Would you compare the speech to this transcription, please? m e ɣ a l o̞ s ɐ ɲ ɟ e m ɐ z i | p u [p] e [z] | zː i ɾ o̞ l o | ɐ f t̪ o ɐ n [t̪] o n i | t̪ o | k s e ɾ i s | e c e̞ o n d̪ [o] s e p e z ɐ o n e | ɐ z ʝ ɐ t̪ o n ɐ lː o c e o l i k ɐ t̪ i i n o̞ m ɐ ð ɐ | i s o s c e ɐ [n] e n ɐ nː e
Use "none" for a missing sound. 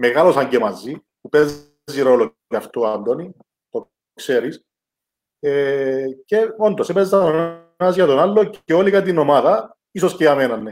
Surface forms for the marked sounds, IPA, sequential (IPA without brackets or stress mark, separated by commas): p, z, d̪, o, m